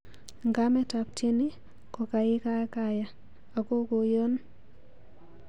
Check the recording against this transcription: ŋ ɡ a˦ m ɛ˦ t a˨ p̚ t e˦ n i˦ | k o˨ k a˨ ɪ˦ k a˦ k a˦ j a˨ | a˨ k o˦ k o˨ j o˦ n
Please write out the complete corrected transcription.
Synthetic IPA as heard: ŋ ɡ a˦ m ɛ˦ t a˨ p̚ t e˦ n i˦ | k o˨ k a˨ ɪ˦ k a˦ k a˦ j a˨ | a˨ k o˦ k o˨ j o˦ n